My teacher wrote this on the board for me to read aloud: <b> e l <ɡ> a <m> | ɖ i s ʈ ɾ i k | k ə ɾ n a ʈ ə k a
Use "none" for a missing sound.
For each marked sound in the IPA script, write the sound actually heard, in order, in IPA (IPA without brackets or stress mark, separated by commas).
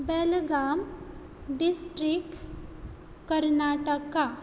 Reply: b, ɡ, m